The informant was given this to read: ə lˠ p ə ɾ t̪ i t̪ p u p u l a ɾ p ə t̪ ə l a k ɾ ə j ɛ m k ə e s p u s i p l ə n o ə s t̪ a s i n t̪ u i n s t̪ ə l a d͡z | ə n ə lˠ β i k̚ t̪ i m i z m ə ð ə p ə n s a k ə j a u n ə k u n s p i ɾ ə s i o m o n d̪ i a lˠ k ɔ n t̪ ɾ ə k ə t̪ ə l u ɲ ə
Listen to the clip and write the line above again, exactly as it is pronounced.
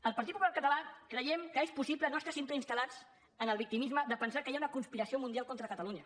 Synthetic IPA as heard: ə lˠ p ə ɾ t̪ i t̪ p u p u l a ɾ k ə t̪ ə l a k ɾ ə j ɛ m k ə e s p u s i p l ə n o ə s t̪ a s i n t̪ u i n s t̪ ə l a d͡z | ə n ə lˠ β i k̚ t̪ i m i z m ə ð ə p ə n s a k ə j a u n ə k u n s p i ɾ ə s i o m u n d̪ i a lˠ k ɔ n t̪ ɾ ə k ə t̪ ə l u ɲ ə